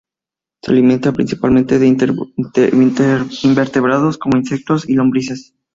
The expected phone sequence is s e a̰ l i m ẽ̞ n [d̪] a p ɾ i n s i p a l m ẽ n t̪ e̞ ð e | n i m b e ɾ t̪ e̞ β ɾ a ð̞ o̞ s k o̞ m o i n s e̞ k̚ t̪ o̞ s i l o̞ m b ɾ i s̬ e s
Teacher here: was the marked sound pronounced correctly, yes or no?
no